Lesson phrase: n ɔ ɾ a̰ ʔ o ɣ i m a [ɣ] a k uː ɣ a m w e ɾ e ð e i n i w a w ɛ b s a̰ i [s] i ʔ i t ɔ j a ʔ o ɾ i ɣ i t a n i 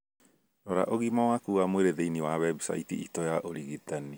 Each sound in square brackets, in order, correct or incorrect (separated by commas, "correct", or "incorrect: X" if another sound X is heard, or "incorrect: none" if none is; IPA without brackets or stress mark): incorrect: w, incorrect: t